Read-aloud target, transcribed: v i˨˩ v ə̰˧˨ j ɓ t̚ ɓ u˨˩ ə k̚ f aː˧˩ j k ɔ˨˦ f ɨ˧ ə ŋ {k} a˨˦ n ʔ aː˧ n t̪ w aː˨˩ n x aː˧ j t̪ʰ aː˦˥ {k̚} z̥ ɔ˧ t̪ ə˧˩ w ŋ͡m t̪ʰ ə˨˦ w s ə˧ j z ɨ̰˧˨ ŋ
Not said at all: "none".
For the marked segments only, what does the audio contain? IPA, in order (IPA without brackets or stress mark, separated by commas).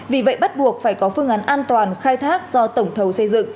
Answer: ʔ, k̚